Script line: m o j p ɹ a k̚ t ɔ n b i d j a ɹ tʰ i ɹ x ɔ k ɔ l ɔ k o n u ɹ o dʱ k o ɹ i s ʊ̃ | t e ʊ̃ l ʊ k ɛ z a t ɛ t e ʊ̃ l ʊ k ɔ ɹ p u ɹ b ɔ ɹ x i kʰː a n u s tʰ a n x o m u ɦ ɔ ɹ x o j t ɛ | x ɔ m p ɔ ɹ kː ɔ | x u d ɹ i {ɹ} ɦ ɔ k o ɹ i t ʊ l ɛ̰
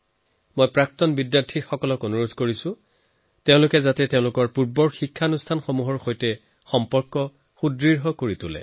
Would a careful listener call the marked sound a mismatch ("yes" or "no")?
no